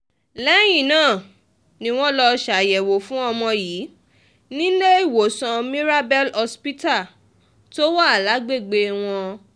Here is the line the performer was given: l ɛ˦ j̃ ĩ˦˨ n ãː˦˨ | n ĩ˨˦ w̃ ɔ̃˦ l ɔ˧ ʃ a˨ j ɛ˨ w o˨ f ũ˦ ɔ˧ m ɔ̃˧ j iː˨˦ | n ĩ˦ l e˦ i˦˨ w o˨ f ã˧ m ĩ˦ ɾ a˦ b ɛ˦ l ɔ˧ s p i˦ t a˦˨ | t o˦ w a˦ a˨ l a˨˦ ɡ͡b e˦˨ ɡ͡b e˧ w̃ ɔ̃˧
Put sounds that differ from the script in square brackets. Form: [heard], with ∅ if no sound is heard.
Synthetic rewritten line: l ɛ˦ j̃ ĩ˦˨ n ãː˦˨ | n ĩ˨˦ w̃ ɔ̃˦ l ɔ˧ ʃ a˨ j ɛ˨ w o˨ f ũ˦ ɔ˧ m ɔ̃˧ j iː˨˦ | n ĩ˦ l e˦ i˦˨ w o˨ [s] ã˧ m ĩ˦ ɾ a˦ b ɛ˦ l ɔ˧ s p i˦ t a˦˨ | t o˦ w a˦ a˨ l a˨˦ ɡ͡b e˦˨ ɡ͡b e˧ w̃ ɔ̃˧